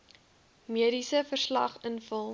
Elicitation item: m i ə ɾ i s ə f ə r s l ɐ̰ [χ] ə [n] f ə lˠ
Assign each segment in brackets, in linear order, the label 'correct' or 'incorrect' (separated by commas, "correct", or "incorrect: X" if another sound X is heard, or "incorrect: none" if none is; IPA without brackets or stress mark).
correct, correct